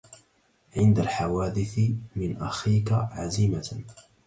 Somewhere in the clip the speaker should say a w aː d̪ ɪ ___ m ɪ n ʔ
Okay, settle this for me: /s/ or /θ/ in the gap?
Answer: θ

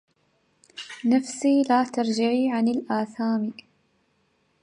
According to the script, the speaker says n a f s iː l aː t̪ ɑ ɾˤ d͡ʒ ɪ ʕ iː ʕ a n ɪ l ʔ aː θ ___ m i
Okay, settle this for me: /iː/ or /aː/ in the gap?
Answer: aː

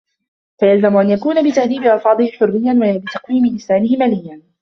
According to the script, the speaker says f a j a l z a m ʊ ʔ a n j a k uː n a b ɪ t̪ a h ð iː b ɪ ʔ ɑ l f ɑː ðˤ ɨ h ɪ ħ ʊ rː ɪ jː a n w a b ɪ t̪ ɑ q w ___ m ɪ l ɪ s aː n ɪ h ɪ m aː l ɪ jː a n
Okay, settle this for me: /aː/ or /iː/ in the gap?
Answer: iː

